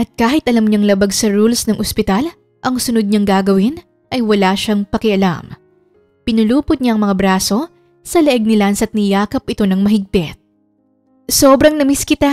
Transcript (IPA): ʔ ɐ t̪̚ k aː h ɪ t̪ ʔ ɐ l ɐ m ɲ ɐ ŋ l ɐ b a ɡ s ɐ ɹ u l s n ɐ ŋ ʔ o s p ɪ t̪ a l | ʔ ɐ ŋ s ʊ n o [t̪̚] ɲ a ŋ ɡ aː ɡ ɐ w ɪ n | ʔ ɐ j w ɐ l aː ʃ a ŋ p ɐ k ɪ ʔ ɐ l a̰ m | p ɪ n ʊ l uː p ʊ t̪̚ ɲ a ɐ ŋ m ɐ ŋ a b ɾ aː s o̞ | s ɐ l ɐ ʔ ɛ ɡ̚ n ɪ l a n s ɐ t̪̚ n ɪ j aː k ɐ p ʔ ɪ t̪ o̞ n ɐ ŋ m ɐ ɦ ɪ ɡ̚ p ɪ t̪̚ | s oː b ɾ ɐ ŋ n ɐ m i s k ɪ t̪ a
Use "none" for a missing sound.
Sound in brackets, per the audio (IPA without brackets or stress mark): d̪̚